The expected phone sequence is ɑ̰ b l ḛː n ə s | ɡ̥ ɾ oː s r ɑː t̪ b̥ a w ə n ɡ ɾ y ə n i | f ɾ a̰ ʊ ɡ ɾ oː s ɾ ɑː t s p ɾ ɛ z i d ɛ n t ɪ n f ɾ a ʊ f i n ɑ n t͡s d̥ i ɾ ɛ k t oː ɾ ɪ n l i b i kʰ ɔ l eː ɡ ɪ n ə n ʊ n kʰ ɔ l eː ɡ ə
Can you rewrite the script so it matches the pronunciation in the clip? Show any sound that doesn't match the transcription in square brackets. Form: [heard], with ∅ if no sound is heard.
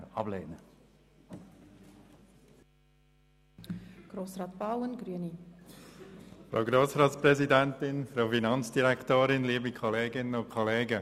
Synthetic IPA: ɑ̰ b l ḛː n ə [∅] | ɡ̥ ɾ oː s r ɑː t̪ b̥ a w ə n ɡ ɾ y ə n i | f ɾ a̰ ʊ ɡ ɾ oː s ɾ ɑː t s p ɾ ɛ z i d ɛ n t ɪ n f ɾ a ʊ f i n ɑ n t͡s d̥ i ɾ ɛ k t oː ɾ ɪ n l [iː] b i kʰ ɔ l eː ɡ ɪ n ə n ʊ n kʰ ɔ l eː ɡ ə

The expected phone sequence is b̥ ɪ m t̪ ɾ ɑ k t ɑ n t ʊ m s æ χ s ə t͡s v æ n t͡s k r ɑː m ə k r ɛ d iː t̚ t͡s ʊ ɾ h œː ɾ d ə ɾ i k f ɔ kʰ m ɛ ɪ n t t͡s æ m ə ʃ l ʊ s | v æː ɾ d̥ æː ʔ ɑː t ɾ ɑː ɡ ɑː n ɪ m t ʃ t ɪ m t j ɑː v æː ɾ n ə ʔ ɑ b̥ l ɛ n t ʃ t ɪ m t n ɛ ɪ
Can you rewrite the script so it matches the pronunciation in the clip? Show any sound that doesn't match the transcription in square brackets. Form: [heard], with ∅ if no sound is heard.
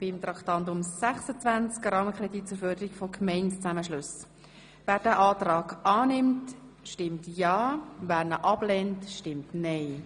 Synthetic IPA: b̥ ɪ m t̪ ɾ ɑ k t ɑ n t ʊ m s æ χ s ə t͡s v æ n t͡s k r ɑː m ə k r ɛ d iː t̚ t͡s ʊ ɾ [f] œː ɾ d ə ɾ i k f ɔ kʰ m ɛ ɪ n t t͡s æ m ə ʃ l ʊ s | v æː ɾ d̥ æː ʔ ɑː t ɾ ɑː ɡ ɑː n ɪ m t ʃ t ɪ m t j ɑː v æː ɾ n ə ʔ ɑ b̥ l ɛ n t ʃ t ɪ m t n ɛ ɪ

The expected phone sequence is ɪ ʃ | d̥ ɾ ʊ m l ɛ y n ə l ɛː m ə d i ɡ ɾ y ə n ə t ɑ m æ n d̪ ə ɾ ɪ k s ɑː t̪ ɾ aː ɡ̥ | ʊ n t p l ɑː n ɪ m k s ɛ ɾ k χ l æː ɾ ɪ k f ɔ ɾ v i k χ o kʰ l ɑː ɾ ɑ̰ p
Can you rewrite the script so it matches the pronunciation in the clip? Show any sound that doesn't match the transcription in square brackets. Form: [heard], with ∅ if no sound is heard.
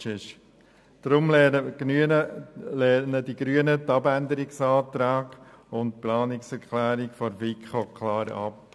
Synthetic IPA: ɪ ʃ | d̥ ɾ ʊ m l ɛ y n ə l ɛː [n] ə d i ɡ ɾ y ə n ə t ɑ [b] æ n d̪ ə ɾ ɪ k s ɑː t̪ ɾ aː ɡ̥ | ʊ n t p l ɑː n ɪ [∅] k s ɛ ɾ k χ l æː ɾ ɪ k f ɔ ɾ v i k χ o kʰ l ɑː ɾ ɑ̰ p

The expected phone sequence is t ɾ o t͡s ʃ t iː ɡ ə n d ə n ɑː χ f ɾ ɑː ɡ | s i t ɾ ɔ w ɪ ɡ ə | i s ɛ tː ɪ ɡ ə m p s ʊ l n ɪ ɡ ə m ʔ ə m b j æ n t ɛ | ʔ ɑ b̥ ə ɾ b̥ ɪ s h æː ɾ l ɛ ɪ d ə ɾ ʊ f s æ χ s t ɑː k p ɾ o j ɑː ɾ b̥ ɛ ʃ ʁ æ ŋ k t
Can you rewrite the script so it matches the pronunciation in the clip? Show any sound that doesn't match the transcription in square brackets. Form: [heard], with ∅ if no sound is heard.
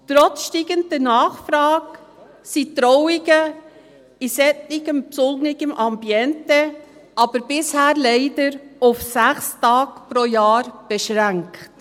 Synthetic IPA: t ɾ [ɔ] t͡s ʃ t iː ɡ ə n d ə n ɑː χ f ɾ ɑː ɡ | s i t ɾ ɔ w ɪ ɡ ə | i s ɛ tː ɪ ɡ ə m p s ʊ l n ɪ ɡ ə m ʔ [ɑ] m b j [ɛ] n t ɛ | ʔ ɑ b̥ ə ɾ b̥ ɪ s h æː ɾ l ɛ ɪ d ə ɾ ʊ f s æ χ s t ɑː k p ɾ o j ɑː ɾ b̥ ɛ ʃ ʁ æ ŋ k t

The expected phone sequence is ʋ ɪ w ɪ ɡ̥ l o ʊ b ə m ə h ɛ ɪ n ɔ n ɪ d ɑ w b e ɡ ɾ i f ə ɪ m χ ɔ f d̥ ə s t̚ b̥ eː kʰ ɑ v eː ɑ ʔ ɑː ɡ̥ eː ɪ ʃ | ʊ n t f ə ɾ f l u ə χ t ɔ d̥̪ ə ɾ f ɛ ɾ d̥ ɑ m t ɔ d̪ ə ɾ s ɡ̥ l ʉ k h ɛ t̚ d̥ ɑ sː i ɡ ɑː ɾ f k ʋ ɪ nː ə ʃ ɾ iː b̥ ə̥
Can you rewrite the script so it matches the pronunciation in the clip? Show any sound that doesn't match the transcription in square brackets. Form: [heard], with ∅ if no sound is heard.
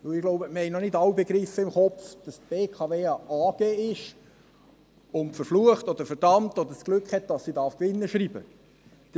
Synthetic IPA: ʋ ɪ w ɪ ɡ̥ l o ʊ b ə m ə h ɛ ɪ n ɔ n ɪ d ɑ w b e ɡ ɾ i f ə ɪ m χ ɔ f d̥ [ɑ] s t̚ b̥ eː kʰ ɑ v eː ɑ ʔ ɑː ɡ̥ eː ɪ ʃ | ʊ n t f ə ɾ f l u ə χ t ɔ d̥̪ ə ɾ f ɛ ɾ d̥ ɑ m t ɔ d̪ ə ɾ s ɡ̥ l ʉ k h ɛ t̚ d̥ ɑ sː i [d] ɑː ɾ f k ʋ ɪ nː ə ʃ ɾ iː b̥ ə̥

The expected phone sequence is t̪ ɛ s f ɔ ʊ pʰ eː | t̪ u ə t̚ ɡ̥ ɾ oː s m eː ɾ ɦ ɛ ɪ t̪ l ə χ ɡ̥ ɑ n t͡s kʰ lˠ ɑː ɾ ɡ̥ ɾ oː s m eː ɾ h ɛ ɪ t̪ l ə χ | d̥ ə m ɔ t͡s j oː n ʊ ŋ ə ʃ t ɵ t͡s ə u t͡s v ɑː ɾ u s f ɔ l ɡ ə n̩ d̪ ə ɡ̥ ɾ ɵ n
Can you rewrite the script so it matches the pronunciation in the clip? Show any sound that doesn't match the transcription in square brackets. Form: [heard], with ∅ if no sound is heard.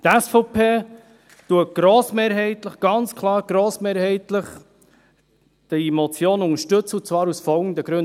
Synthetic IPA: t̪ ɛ s f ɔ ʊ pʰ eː | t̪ u ə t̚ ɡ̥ ɾ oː s m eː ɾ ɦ ɛ ɪ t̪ l ə χ ɡ̥ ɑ n t͡s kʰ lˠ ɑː ɾ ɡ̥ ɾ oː s m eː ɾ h ɛ ɪ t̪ l ə χ | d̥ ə m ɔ t͡s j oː n ʊ ŋ ə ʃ t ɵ t͡s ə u t͡s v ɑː ɾ u s f ɔ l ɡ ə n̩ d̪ ə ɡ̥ ɾ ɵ n

